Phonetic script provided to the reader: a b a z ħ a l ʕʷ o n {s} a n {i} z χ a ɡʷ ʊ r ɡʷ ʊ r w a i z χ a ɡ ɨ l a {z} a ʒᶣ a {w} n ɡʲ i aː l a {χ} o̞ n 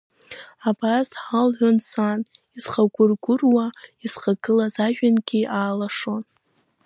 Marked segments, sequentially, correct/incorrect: correct, correct, correct, incorrect, incorrect

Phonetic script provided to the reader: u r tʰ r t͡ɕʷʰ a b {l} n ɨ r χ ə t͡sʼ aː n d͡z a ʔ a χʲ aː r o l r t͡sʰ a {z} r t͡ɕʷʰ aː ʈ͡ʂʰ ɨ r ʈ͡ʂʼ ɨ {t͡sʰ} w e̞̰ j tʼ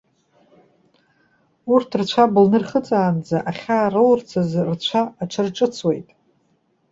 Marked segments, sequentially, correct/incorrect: correct, correct, correct

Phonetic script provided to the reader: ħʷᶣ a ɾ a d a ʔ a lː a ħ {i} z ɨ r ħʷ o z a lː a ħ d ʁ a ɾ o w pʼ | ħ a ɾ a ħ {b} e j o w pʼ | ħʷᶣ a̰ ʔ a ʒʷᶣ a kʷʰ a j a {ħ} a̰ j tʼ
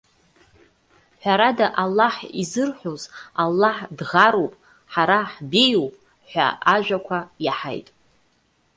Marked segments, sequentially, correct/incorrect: correct, correct, correct

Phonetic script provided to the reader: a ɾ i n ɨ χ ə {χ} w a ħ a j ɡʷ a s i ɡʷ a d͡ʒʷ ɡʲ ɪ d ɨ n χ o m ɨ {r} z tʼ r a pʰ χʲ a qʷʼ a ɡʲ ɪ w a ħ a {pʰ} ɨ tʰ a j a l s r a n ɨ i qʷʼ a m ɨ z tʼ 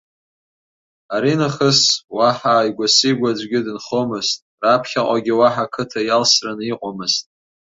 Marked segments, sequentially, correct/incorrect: incorrect, incorrect, incorrect

